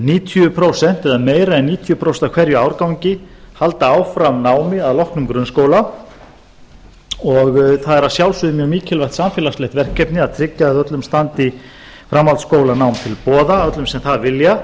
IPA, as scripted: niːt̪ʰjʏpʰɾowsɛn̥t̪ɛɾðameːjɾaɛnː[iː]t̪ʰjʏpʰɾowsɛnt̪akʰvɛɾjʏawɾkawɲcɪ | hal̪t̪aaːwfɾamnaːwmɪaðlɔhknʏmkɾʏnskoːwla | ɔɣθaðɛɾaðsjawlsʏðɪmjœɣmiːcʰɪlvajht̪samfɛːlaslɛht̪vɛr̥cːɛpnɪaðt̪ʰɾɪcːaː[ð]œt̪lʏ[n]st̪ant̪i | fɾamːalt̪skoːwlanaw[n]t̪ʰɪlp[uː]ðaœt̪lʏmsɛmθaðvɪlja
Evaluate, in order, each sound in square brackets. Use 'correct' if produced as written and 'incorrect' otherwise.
correct, correct, incorrect, incorrect, incorrect

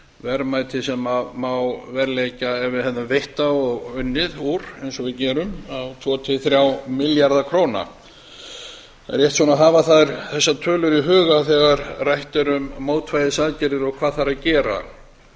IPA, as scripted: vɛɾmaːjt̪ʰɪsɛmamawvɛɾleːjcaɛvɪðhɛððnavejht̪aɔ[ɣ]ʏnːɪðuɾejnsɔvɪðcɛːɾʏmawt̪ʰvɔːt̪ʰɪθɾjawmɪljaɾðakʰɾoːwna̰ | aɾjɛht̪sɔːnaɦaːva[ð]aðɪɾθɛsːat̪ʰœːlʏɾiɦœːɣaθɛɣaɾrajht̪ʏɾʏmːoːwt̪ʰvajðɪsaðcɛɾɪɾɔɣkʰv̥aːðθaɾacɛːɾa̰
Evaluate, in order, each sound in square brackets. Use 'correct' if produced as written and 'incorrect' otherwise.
correct, incorrect

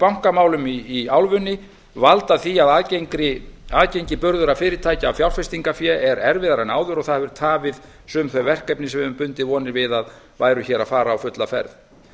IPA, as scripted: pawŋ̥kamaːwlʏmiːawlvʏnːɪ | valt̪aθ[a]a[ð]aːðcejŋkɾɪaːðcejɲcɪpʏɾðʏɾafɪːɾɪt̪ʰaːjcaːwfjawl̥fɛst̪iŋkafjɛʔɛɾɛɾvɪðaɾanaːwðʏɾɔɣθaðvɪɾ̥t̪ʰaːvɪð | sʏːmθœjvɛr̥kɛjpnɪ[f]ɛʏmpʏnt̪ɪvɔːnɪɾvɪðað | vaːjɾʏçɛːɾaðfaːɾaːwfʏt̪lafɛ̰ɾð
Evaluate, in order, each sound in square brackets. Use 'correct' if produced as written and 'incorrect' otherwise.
incorrect, correct, incorrect

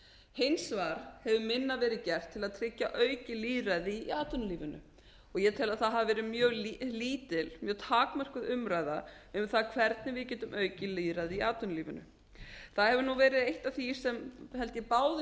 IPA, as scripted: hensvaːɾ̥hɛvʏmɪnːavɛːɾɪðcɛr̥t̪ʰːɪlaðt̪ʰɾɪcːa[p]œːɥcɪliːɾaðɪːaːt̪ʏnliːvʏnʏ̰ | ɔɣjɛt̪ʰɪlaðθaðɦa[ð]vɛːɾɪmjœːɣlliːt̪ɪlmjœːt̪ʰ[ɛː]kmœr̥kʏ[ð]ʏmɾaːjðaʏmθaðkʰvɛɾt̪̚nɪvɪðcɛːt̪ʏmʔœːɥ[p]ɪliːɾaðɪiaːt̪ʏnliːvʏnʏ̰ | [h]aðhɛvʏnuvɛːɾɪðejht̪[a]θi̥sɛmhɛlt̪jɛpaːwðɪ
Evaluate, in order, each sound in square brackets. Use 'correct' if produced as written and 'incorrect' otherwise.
incorrect, incorrect, incorrect, correct, incorrect, incorrect, correct

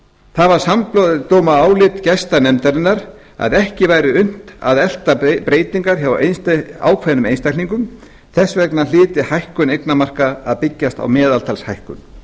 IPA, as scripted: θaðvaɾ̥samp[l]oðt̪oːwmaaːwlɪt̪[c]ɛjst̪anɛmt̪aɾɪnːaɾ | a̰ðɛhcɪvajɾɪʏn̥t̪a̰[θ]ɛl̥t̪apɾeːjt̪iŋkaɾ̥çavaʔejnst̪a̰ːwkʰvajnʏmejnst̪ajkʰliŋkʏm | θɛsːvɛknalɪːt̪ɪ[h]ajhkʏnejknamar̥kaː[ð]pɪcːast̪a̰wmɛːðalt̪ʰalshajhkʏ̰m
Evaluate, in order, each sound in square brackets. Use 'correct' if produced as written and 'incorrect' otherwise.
correct, correct, incorrect, correct, correct

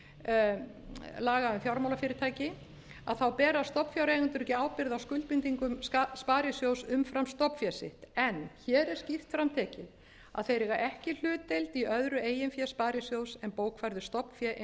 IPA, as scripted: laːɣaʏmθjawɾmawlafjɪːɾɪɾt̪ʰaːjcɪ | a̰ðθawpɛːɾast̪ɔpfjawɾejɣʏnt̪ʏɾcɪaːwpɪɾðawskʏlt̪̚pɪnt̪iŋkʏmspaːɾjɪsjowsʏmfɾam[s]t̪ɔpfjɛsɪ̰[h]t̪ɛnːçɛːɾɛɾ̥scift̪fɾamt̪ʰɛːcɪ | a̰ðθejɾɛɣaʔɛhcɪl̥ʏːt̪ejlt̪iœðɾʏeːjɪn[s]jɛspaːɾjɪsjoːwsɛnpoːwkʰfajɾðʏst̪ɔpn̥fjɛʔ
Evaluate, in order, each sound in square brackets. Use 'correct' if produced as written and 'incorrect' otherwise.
correct, correct, incorrect

